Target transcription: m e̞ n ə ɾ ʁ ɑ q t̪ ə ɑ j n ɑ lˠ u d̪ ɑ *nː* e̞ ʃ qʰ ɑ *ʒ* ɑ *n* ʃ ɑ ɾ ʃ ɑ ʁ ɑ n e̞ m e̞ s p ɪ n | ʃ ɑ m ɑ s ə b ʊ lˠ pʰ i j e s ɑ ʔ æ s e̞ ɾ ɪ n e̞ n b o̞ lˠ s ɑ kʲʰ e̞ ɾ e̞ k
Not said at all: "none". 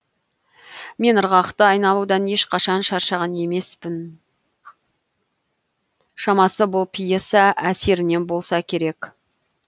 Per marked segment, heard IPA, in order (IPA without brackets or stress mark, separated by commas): n, ʃ, n